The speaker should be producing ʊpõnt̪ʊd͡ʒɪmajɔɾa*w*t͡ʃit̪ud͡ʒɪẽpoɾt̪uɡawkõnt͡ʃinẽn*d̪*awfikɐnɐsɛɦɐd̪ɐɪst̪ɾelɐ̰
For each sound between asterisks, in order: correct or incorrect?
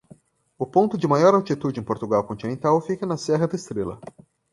correct, incorrect: t̪

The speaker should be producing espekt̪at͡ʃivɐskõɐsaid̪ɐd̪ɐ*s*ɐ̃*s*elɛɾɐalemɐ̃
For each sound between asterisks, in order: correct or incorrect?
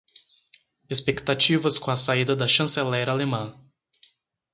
incorrect: ʃ, correct

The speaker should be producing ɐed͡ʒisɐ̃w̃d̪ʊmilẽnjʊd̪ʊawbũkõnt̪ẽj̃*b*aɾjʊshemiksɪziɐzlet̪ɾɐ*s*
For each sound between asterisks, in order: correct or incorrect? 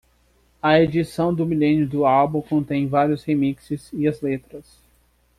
incorrect: v, correct

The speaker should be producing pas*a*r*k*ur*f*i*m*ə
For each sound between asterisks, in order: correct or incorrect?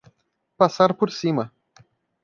correct, incorrect: p, incorrect: s, correct

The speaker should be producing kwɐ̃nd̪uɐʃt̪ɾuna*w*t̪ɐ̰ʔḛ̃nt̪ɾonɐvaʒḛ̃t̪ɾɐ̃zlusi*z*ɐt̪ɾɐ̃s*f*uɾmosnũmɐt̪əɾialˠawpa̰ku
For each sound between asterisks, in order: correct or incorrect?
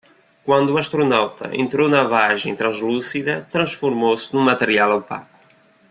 correct, incorrect: ð, correct

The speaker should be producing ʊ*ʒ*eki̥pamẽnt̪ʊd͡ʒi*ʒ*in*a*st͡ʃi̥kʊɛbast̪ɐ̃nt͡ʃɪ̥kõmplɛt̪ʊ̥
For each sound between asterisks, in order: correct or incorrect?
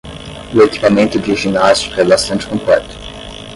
incorrect: none, correct, correct

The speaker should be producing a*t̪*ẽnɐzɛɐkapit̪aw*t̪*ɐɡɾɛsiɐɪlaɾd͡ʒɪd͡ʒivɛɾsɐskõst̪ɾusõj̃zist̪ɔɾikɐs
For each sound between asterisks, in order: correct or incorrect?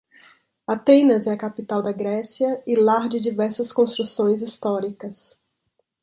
correct, incorrect: d̪

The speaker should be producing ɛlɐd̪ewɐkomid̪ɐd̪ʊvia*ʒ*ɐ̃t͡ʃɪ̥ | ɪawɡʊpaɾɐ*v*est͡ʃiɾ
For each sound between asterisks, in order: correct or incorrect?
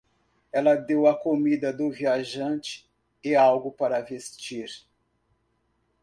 correct, correct

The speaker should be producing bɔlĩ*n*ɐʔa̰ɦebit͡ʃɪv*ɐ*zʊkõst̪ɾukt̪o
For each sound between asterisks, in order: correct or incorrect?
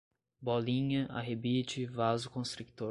incorrect: ɲ, incorrect: a

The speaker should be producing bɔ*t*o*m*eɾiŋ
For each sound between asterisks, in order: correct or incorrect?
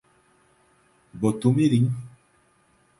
correct, correct

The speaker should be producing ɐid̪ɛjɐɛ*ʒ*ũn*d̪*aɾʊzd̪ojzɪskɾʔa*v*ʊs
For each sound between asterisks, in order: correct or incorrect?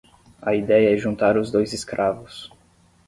correct, incorrect: t̪, correct

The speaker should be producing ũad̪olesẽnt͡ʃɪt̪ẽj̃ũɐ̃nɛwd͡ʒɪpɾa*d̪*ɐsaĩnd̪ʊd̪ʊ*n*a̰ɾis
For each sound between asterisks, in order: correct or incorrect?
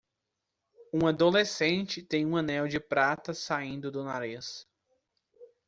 incorrect: t̪, correct

